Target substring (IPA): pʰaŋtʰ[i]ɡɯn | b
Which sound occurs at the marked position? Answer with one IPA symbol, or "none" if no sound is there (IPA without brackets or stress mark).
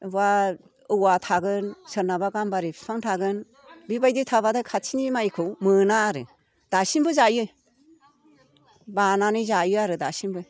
a